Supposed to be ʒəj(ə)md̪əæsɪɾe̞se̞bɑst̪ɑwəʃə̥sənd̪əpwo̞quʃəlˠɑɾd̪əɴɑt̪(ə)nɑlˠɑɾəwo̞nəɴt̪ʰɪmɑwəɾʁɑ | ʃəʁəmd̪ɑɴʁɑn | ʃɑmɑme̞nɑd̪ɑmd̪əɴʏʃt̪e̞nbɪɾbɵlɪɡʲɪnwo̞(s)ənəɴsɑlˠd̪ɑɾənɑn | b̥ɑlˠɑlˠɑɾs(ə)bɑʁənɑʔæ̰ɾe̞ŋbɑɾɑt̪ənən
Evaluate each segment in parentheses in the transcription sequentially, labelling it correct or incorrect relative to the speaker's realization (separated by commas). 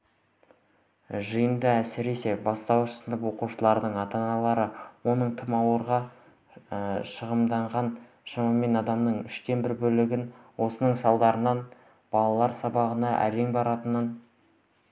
correct, incorrect, correct, incorrect